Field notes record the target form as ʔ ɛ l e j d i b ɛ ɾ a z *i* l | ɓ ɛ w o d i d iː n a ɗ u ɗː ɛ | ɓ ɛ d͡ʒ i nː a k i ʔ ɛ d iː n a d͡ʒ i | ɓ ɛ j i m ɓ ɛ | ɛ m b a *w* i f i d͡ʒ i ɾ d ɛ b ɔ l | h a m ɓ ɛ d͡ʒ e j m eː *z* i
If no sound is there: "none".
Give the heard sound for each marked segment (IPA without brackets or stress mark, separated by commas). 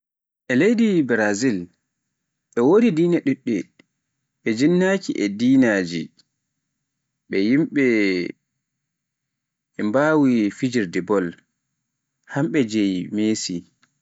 i, w, s